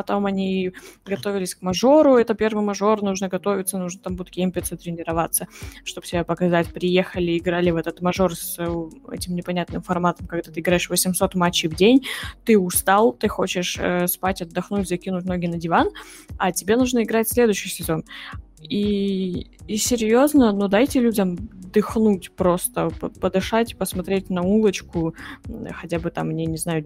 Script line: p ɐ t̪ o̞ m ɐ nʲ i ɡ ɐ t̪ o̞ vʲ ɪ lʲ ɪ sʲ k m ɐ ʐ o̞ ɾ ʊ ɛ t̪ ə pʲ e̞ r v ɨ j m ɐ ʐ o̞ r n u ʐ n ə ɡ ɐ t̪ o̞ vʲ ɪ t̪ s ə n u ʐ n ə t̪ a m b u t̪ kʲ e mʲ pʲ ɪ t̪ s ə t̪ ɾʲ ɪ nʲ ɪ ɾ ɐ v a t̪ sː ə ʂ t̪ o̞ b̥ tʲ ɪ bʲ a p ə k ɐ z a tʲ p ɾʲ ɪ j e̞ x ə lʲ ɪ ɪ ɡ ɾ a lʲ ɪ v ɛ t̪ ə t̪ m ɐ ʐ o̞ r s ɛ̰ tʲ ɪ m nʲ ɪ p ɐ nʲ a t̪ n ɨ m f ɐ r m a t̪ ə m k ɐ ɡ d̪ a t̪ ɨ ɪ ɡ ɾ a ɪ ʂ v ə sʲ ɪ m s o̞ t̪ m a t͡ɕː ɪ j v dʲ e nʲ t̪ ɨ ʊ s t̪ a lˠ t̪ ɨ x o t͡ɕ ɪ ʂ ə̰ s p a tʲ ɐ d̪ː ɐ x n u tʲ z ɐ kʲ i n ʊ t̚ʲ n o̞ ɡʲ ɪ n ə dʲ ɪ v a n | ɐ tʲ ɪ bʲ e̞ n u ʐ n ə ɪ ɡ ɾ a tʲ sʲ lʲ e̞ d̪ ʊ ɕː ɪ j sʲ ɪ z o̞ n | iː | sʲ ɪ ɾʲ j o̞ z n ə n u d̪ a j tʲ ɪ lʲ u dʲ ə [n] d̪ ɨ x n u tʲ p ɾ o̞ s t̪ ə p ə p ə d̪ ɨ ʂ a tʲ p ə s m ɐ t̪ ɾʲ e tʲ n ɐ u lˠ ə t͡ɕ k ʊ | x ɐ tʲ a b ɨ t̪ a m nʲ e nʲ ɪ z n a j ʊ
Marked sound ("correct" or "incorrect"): incorrect